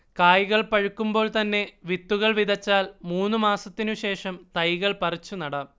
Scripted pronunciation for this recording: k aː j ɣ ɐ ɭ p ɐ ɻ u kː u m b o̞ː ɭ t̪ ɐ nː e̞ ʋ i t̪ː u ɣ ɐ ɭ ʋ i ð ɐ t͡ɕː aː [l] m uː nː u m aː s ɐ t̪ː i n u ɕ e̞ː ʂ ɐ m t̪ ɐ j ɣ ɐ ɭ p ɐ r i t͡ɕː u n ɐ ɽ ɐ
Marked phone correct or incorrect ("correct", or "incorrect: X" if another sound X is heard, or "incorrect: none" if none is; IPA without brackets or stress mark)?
correct